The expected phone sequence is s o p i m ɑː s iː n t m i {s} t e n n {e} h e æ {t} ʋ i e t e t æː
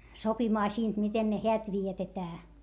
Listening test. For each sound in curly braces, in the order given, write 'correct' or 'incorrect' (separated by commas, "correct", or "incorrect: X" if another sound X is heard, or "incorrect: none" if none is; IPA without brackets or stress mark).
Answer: incorrect: none, correct, correct